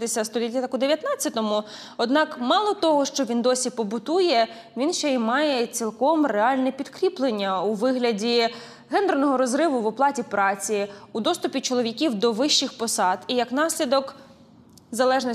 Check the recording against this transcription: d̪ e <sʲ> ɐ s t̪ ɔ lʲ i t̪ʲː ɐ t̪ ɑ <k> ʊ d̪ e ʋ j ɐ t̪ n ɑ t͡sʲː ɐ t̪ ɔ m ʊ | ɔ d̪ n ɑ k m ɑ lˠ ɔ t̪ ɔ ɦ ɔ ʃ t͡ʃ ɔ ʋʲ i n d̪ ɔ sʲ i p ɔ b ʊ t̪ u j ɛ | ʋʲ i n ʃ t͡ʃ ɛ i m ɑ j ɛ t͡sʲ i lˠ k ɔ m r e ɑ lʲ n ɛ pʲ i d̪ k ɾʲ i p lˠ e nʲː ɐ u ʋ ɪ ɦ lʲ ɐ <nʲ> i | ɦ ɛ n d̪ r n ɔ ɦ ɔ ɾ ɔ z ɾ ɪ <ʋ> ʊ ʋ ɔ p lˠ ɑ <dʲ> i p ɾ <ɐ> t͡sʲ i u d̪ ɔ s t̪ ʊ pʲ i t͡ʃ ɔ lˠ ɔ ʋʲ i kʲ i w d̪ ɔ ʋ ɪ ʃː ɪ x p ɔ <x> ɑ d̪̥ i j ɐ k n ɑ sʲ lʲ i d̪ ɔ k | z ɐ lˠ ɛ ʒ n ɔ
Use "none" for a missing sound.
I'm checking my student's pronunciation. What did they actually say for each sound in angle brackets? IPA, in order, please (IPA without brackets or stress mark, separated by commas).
sʲ, k, dʲ, ʋ, tʲ, ɑ, s